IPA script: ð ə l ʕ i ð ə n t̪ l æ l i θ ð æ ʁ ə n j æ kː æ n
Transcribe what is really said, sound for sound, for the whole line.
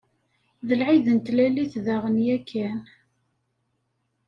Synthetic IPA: ð ə l ʕ i ð ə n t̪ l æ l i θ ð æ ʁ ə n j æ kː æ n

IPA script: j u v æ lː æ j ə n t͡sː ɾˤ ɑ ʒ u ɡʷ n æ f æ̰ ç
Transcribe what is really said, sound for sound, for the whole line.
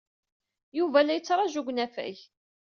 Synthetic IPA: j u v æ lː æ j ə t͡sː ɾˤ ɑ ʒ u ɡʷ n æ f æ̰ ç

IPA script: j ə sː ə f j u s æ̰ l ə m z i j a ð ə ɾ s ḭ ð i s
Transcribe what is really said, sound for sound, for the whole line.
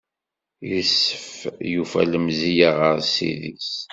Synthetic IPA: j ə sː ə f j u f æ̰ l ə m z i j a ʁ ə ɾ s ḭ ð i s

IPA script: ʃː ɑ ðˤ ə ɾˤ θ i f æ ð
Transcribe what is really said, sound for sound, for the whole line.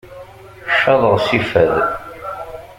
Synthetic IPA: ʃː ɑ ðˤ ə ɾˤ s i f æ ð

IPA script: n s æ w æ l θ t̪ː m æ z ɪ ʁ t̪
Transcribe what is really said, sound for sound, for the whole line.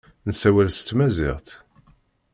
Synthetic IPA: n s æ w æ l s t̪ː m æ z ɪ ʁ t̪

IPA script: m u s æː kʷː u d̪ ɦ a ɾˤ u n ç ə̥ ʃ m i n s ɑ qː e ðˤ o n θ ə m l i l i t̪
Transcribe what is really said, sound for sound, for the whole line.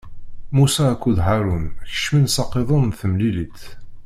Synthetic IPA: m u s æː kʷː u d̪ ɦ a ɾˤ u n ç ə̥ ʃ m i n s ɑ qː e ðˤ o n θ ə m l i l i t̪

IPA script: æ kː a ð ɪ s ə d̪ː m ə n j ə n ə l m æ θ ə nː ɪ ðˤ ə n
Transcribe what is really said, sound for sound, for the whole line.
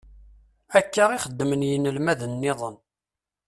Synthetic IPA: æ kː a ʁ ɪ χ ə d̪ː m ə n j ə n ə l m æ ð ə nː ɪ ðˤ ə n

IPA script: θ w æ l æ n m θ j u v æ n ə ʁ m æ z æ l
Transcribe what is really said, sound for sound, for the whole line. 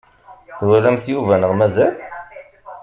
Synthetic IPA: θ w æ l æ m θ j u v æ n ə ʁ m æ z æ l

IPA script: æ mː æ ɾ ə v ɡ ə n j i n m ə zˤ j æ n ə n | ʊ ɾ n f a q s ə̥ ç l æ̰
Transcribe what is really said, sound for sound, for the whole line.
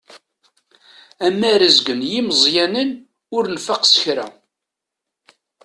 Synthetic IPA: æ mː æ ɾ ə z ɡ ə n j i m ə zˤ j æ n ə n | ʊ ɾ n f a q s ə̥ ç ɾ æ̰

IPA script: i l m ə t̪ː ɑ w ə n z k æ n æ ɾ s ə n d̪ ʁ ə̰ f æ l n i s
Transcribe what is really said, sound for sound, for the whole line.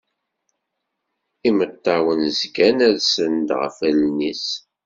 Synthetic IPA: i m ə t̪ː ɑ w ə n z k æ n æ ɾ s ə n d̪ ʁ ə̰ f æ l n i s

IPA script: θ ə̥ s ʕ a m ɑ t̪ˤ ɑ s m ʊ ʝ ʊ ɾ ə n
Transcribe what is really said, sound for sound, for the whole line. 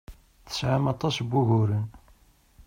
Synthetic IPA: θ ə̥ s ʕ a m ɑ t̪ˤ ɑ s b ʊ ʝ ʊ ɾ ə n

